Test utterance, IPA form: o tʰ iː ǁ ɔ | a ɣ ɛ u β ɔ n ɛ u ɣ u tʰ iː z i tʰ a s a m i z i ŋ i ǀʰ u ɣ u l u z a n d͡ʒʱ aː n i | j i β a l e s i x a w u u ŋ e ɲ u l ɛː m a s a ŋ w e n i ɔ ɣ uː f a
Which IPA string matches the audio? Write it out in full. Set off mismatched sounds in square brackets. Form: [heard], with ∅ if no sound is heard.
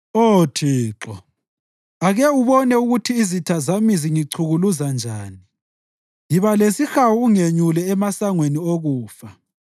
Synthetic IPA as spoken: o tʰ iː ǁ ɔ | a ɣ ɛ u β ɔ n ɛ u ɣ u tʰ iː z i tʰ a [z] a m i z i ŋ i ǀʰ u ɣ u l u z a n d͡ʒʱ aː n i | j i β a l e s i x a w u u ŋ e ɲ u l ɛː m a s a ŋ w e n i [o] ɣ uː f a